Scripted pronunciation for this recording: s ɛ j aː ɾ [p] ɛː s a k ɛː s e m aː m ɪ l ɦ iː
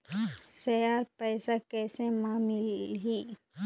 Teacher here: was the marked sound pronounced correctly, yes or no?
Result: yes